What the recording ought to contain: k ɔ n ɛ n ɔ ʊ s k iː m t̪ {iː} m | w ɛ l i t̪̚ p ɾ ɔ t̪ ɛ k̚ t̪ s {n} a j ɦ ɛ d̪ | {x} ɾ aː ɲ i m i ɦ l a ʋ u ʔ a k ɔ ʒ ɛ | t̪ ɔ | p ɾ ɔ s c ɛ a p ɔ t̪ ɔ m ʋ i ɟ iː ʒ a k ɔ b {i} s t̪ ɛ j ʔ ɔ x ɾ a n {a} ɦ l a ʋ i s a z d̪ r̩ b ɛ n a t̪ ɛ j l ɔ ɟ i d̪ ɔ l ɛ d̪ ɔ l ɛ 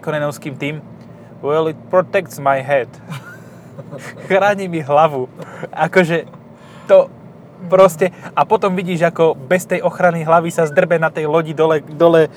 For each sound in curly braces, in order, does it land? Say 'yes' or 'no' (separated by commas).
yes, no, yes, no, no